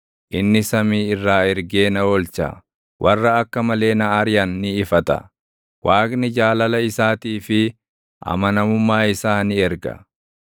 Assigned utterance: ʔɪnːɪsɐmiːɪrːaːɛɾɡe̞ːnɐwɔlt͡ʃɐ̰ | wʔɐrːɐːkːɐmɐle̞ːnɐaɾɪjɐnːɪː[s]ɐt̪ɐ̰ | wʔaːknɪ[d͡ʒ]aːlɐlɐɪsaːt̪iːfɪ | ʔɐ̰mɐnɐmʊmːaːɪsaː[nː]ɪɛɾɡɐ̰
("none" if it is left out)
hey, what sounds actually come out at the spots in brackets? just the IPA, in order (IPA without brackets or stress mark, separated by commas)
f, d͡ʒ, n